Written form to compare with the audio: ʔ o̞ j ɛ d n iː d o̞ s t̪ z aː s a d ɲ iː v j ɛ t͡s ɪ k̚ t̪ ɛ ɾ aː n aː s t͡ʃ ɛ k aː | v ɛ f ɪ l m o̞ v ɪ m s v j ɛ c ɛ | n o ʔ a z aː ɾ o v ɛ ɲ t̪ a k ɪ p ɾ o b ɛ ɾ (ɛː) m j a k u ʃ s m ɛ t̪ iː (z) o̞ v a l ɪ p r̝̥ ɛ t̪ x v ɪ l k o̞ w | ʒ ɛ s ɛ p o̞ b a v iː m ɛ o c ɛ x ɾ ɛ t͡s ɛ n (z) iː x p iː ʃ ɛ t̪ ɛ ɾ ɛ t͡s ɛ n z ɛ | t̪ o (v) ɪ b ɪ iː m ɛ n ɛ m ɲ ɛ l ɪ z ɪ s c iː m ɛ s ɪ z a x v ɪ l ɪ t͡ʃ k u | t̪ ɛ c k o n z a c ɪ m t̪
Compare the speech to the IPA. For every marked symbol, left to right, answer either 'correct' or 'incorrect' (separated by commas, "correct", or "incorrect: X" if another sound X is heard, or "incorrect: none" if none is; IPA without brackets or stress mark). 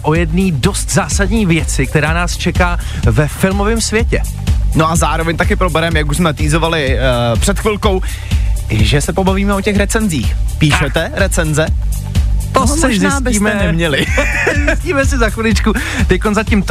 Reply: incorrect: ɛ, correct, correct, incorrect: z